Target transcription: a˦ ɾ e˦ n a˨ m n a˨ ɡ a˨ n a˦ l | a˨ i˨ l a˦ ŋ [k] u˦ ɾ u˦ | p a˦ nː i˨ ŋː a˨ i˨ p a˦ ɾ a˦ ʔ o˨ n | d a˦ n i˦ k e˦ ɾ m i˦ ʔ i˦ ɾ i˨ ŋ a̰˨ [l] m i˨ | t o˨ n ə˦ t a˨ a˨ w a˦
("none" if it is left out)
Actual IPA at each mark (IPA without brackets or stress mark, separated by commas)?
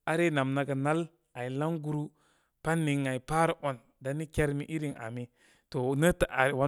ɡ, none